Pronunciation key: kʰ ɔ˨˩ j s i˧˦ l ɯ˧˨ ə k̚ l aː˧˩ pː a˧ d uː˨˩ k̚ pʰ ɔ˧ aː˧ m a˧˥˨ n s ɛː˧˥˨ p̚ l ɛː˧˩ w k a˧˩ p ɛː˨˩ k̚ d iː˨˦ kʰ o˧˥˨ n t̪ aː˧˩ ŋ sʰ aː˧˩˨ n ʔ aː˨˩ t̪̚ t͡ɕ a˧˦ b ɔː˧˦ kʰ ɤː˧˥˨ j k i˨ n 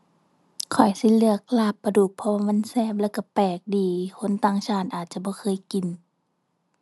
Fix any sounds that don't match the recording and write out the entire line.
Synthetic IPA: kʰ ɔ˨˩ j s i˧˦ l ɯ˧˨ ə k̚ l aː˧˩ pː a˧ d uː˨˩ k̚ pʰ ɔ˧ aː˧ m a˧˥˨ n s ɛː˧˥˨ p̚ l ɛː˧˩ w k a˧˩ p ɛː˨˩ k̚ d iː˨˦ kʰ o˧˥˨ n t̪ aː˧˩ ŋ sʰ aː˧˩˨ n ʔ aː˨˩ t̪̚ t͡ɕ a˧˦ b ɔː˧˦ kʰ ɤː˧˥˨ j k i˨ n